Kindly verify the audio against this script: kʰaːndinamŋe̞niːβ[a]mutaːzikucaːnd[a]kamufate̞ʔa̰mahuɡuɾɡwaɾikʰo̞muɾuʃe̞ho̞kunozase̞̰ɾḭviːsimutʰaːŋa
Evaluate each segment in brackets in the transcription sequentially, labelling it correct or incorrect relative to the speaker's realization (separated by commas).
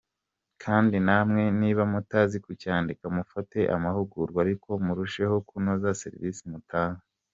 correct, incorrect